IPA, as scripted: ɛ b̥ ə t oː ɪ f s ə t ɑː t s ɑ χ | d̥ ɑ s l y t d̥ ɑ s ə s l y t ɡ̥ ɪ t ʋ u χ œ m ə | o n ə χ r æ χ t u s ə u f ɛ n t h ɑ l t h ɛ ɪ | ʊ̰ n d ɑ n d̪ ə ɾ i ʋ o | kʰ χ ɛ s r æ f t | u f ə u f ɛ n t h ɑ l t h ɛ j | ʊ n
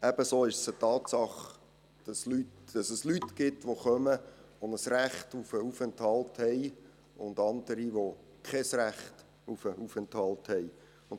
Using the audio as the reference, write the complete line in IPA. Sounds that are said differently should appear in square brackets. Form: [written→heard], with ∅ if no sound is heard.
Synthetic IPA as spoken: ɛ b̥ ə [t→s] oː ɪ [f→ʃ] s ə t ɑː t s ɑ χ | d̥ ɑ s l y t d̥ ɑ s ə s l y t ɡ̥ ɪ t ʋ [u→o] χ œ m ə | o n ə [χ→s] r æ χ t u [s→f] ə u f ɛ n t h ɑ l t h ɛ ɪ | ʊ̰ n d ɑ n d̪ ə ɾ i ʋ o | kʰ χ ɛ s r æ [f→χ] t | u f ə u f ɛ n t h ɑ l t h ɛ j | ʊ n